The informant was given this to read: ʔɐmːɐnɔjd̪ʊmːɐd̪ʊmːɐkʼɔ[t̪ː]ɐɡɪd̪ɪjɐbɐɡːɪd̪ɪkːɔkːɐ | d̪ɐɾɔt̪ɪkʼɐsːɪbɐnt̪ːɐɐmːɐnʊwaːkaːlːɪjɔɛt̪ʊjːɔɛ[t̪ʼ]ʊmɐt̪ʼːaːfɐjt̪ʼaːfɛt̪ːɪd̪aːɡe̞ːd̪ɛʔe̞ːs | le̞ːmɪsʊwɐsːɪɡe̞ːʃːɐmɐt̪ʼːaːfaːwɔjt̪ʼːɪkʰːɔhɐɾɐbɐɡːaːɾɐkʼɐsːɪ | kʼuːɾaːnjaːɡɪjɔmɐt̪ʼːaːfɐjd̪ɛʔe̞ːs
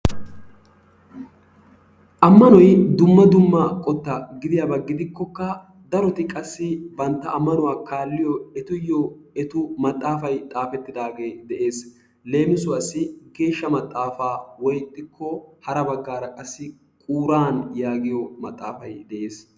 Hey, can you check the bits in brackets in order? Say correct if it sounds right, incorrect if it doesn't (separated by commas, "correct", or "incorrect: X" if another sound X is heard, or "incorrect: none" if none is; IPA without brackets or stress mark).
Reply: correct, incorrect: t̪